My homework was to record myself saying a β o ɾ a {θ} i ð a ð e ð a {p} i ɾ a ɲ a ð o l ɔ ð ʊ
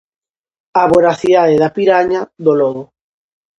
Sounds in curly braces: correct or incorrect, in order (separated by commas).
correct, correct